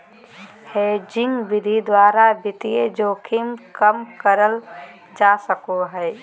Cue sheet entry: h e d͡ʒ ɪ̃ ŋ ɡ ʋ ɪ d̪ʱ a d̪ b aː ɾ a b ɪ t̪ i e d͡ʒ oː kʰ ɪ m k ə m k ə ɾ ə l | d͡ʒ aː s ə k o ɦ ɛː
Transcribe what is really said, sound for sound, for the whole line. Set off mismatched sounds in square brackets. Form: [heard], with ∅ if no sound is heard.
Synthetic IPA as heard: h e d͡ʒ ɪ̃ ŋ ɡ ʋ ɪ d̪ʱ [i] d̪ [w] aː ɾ a b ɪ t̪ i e d͡ʒ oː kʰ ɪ m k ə m k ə ɾ ə l | d͡ʒ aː s ə k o ɦ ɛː